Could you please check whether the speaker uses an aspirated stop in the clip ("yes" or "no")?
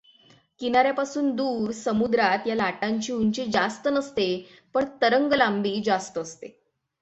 no